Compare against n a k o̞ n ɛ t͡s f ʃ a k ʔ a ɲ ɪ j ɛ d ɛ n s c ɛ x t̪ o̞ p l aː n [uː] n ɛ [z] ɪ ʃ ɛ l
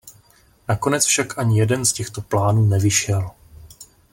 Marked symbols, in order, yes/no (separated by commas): yes, no